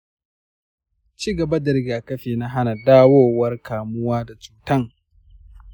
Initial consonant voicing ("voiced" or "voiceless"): voiceless